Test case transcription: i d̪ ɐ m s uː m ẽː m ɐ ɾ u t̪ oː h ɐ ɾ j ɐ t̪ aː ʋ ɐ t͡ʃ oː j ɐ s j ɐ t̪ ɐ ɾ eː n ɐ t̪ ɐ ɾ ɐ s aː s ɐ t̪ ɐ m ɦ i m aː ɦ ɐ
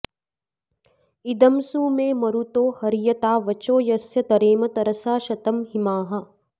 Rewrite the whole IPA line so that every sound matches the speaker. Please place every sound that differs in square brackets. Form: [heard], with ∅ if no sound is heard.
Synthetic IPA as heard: i d̪ ɐ m s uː m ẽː m ɐ ɾ u t̪ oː h ɐ ɾ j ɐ t̪ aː ʋ ɐ t͡ʃ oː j ɐ s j ɐ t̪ ɐ ɾ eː [m] ɐ t̪ ɐ ɾ ɐ s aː [ʃ] ɐ t̪ ɐ m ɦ i m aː ɦ ɐ